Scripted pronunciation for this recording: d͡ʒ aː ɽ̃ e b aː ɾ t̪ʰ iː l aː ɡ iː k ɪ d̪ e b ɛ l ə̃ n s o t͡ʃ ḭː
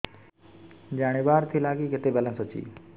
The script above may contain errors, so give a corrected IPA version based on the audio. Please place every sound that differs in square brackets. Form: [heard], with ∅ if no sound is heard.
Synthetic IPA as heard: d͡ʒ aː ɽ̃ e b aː ɾ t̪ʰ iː l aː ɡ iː k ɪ [t̪] e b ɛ l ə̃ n s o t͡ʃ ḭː

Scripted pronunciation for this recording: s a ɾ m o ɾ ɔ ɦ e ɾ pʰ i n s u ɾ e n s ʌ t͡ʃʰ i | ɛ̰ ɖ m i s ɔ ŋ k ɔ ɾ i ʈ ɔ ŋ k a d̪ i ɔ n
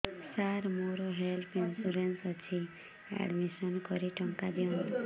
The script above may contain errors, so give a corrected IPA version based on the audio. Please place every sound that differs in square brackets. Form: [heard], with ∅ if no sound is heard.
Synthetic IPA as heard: s a ɾ m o ɾ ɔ ɦ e [l] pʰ i n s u ɾ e n s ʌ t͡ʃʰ i | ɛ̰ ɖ m i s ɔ [n] k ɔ ɾ i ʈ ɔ ŋ k a d̪ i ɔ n

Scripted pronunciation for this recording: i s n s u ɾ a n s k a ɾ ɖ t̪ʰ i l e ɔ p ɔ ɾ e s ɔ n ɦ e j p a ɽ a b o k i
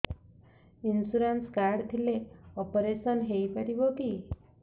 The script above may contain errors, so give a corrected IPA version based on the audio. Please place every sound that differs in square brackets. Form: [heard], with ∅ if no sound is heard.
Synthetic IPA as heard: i [∅] n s u ɾ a n s k a ɾ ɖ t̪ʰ i l e ɔ p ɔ ɾ e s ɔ n ɦ e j p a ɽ [i] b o k i

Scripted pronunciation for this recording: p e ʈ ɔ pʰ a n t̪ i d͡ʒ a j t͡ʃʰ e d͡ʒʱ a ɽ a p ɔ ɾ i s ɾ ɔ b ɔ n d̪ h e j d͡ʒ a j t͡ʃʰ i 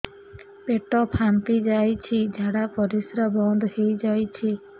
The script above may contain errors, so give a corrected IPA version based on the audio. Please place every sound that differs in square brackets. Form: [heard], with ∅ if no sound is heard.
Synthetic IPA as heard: p e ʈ ɔ pʰ a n t̪ i d͡ʒ a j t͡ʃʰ [i] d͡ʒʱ a ɽ a p ɔ ɾ i s ɾ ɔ b ɔ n d̪ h e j d͡ʒ a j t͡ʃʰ i

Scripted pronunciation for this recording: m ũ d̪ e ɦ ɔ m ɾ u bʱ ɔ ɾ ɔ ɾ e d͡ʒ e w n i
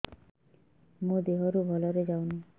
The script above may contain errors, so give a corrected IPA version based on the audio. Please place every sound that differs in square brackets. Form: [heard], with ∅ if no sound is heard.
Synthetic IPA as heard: m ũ d̪ e ɦ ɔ [∅] ɾ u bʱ ɔ [l] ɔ ɾ e d͡ʒ [a] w n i

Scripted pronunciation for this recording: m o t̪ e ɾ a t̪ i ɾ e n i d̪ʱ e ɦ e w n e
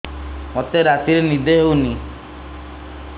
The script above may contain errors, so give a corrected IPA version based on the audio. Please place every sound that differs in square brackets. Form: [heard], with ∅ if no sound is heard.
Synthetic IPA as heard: m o t̪ e ɾ a t̪ i ɾ e n i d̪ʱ e ɦ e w n [i]

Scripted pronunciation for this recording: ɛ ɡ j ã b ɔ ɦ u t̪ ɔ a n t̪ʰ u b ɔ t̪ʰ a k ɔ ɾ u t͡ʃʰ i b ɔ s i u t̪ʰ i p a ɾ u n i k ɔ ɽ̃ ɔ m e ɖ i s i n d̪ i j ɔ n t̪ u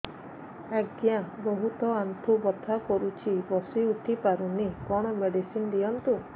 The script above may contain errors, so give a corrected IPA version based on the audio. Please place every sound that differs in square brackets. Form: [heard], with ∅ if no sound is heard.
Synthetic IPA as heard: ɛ ɡ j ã b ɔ ɦ u t̪ ɔ a n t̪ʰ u b ɔ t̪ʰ a k ɔ ɾ u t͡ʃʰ i b ɔ s i u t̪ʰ i p a ɾ u n i k ɔ ɽ̃ ɔ m e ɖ i s i n d̪ i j ɔ n t̪ u

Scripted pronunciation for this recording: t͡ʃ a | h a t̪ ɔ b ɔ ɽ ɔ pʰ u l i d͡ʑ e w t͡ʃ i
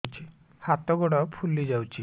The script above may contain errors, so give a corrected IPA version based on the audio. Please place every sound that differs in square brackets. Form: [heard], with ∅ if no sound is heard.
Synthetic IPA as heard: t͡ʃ [i] | h a t̪ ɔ [ɡ] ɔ ɽ ɔ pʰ u l i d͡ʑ [a] w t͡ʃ i

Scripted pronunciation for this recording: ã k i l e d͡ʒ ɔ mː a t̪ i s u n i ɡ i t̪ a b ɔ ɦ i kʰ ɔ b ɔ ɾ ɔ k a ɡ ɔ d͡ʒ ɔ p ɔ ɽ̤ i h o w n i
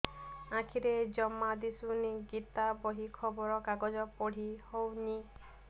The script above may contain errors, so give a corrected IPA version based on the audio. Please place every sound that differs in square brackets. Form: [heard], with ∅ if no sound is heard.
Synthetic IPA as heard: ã [kʰ] i [ɾ] e d͡ʒ ɔ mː a [d̪] i s u n i ɡ i t̪ a b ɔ ɦ i kʰ ɔ b ɔ ɾ ɔ k a ɡ ɔ d͡ʒ ɔ p ɔ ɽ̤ i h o w n i

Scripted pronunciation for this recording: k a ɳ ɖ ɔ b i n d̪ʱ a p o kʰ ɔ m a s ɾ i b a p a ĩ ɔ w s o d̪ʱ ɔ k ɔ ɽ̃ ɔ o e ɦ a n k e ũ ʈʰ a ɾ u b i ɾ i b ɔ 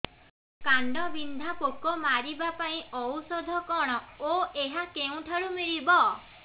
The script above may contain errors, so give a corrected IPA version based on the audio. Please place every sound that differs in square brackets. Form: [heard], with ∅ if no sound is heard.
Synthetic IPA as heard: k a ɳ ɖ ɔ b i n d̪ʱ a p o [k] ɔ m a [∅] ɾ i b a p a ĩ ɔ w s [ɔ] d̪ʱ ɔ k ɔ ɽ̃ ɔ o e ɦ a [∅] k e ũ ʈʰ a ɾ u [m] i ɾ i b ɔ

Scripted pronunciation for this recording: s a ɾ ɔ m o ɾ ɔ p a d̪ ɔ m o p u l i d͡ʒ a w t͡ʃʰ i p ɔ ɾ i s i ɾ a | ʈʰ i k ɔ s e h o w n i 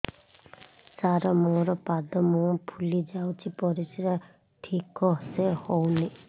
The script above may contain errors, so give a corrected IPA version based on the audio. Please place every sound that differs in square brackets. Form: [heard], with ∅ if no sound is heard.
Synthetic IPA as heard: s a ɾ ɔ m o ɾ ɔ p a d̪ ɔ m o [pʰ] u l i d͡ʒ a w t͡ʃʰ i p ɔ ɾ i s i ɾ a | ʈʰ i k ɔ s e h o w n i

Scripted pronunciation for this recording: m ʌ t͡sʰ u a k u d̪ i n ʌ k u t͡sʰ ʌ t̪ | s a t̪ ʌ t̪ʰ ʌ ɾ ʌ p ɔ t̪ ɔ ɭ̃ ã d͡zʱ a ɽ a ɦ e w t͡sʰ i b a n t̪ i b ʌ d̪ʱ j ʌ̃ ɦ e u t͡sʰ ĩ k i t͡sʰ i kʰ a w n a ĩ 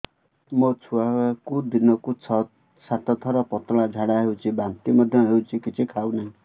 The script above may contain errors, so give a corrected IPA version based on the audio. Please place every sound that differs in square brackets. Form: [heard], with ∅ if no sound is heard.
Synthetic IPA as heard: m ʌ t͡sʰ u a k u d̪ i n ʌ k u t͡sʰ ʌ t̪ | s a t̪ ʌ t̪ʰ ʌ ɾ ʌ p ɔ t̪ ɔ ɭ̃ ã d͡zʱ a ɽ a ɦ e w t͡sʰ i b a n t̪ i [m] ʌ d̪ʱ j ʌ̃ ɦ e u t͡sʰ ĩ k i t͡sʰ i kʰ a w n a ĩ

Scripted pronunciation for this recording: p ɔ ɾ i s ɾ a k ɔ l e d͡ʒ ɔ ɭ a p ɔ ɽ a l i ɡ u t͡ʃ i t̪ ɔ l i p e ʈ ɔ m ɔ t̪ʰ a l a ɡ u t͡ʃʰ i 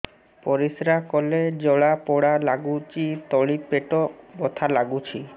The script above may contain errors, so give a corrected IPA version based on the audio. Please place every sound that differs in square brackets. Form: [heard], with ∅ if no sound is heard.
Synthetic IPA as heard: p ɔ ɾ i s ɾ a k ɔ l e d͡ʒ ɔ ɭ a p ɔ ɽ a l [a] ɡ u t͡ʃ i t̪ ɔ [ɭ] i p e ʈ ɔ [b] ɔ t̪ʰ a l a ɡ u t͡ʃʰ i

